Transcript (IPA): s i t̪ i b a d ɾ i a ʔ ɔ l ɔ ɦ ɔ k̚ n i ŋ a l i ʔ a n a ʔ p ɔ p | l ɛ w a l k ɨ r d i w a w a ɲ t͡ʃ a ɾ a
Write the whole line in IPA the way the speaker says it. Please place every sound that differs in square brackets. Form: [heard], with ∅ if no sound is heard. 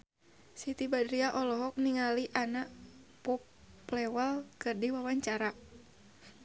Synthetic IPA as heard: s i t̪ i b a d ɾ i a ʔ ɔ l ɔ ɦ ɔ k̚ n i ŋ a l i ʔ a n a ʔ p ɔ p | l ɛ w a l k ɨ r d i w a w a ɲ t͡ʃ a ɾ a

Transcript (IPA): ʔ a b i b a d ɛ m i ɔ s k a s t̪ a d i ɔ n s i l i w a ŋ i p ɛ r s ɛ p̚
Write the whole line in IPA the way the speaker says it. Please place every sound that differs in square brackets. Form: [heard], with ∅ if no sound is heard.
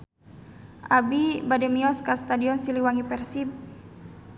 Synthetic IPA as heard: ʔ a b i b a d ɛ m i ɔ s k a s t̪ a d i ɔ n s i l i w a ŋ i p ɛ r s [i] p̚

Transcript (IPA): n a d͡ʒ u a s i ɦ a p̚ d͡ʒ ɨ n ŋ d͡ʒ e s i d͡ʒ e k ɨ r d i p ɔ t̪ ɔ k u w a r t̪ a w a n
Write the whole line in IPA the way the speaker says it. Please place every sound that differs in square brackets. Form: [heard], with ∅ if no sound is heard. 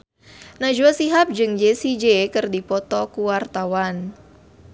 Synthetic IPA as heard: n a d͡ʒ u a s i ɦ a p̚ d͡ʒ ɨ [∅] ŋ d͡ʒ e s i d͡ʒ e k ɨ r d i p ɔ t̪ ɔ k u w a r t̪ a w a n

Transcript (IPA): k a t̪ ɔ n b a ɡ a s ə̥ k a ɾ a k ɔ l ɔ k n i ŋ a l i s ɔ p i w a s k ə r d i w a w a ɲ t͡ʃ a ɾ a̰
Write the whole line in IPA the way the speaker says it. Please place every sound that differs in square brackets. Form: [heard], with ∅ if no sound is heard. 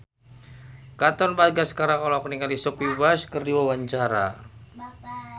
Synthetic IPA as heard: k a t̪ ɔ n b a ɡ a s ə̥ k a ɾ a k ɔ l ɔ k n i ŋ a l i s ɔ p i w a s k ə r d i w a w a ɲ t͡ʃ a ɾ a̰

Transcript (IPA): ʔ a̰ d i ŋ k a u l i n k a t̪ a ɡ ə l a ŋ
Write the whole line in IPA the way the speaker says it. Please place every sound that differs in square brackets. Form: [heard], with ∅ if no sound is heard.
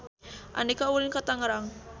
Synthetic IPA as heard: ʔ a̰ [n] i [∅] k a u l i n k a t̪ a [ŋ] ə [ɾ] a ŋ

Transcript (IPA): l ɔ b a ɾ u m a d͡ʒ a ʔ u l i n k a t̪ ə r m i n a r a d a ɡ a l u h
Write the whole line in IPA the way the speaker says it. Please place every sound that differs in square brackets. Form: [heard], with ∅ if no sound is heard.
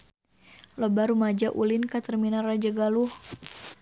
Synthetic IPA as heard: l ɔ b a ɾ u m a d͡ʒ a ʔ u l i n k a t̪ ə r m i n a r a [d͡ʒ] a ɡ a l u h

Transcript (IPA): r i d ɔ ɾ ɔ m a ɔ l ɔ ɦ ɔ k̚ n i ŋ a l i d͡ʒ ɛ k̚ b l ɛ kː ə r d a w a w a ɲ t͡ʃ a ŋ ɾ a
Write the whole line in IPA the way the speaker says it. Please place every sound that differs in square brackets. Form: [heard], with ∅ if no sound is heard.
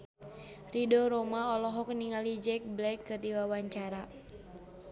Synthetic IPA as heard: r i d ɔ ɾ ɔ m a ɔ l ɔ ɦ ɔ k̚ n i ŋ a l i d͡ʒ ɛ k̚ b l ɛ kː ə r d [i] w a w a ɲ t͡ʃ a [∅] ɾ a

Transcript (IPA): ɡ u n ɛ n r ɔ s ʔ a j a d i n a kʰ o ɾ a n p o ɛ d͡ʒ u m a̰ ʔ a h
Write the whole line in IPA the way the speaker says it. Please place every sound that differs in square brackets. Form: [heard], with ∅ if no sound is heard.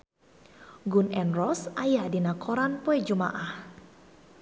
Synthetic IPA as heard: ɡ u n ɛ n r ɔ s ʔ a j a d i n a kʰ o ɾ a n p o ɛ d͡ʒ u m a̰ ʔ a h

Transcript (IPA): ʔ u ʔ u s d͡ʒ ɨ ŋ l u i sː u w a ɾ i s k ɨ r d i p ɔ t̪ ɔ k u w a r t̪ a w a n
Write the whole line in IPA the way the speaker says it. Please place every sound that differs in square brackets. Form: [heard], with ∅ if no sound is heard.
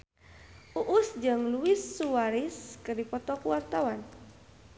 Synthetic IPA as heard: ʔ u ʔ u s d͡ʒ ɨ ŋ l u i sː u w a ɾ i s k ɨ r d i p ɔ t̪ ɔ k u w a r t̪ a w a n

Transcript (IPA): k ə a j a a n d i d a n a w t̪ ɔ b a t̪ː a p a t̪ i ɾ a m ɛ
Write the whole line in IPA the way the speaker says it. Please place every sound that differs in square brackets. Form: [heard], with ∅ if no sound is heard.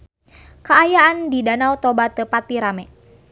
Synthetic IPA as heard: k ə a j a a n d i d a n a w t̪ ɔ b a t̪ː [ə] p a t̪ i ɾ a m ɛ

